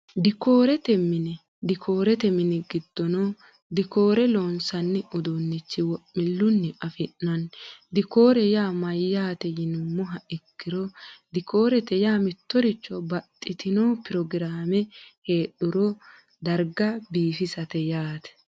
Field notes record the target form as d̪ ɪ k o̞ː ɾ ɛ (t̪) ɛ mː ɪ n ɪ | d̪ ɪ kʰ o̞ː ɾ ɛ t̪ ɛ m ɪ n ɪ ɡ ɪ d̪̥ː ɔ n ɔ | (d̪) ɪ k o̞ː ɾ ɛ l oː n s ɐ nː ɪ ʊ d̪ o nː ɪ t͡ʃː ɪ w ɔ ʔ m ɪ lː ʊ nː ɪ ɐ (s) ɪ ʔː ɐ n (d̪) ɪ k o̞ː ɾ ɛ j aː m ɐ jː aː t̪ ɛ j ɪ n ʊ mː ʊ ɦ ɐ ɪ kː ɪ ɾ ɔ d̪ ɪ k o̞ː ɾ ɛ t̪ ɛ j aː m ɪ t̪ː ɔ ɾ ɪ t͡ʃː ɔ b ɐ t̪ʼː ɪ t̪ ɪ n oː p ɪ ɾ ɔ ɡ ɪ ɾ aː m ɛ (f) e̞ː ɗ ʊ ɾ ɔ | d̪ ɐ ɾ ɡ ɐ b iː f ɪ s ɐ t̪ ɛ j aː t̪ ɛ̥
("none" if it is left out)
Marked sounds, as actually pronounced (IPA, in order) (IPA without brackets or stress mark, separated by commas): t̪, d̪, f, d̪, h